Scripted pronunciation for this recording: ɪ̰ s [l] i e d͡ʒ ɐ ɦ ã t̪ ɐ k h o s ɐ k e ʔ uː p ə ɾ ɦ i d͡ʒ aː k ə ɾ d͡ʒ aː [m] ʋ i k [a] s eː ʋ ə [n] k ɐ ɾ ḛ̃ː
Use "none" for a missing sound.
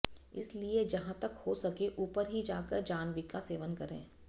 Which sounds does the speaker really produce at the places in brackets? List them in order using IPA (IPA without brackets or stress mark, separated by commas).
l, n, a, n